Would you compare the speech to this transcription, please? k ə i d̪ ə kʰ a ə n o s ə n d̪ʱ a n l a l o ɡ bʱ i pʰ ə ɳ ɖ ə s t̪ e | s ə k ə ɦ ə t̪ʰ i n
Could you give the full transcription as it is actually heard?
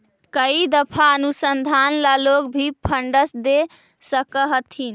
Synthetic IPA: k ə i d̪ ə pʰ a ə n u s ə n d̪ʱ a n l a l o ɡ bʱ i pʰ ə ɳ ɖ ə s d̪ e | s ə k ə ɦ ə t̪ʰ i n